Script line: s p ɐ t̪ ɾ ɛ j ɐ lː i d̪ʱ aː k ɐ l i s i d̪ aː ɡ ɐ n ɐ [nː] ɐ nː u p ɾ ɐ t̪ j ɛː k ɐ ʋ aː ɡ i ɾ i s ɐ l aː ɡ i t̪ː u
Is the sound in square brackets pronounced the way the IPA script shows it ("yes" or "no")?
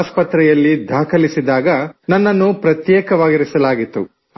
yes